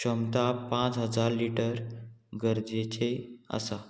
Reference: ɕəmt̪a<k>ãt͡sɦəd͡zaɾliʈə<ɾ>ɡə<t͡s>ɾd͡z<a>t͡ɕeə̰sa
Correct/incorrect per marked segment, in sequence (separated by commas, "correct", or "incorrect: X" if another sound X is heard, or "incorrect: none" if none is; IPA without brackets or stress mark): incorrect: p, correct, incorrect: none, incorrect: e